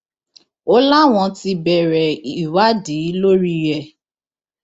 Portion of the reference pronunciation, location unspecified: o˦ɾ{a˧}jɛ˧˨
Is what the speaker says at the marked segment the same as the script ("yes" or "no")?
no